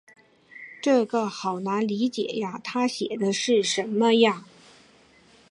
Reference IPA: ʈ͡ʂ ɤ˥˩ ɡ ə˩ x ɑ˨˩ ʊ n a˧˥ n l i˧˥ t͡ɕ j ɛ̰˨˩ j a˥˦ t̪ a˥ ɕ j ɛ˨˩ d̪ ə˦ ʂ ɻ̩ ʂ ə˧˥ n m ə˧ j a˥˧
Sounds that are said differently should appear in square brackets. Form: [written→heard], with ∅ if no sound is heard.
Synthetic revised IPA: ʈ͡ʂ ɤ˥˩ ɡ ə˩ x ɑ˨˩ ʊ n a˧˥ n l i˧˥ t͡ɕ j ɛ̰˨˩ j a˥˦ [t̪→t̪ʰ] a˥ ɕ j ɛ˨˩ d̪ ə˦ ʂ ɻ̩ ʂ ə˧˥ n m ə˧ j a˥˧